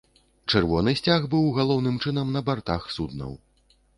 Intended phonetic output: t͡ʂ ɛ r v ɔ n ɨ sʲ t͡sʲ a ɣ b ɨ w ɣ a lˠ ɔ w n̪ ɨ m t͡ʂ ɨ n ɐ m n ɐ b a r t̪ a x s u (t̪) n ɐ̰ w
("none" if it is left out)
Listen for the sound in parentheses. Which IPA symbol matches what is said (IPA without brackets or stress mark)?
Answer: d̪